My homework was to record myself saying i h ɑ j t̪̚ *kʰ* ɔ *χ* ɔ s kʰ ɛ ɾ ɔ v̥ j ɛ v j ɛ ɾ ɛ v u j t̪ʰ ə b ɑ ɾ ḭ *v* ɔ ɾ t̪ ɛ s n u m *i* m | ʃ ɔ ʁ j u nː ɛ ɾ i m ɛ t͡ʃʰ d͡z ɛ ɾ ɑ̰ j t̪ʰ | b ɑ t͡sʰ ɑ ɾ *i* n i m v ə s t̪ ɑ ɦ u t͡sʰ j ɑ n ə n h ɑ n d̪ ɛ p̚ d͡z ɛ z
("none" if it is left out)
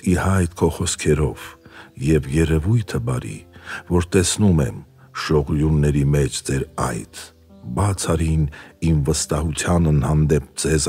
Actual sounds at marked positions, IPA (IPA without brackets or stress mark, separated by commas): kʰ, χ, v, ɛ, i